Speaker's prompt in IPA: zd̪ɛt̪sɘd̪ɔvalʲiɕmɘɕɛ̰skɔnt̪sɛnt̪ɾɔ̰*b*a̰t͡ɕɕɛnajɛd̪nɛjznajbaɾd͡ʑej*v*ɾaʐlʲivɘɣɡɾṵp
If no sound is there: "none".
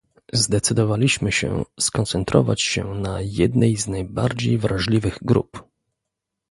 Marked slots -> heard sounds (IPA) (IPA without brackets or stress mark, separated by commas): v, v